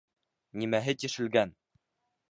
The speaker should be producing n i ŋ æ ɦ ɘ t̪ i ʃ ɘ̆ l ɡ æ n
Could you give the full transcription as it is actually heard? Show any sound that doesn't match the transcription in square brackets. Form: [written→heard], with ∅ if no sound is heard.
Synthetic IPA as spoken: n i [ŋ→m] æ ɦ ɘ t̪ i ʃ ɘ̆ l ɡ æ n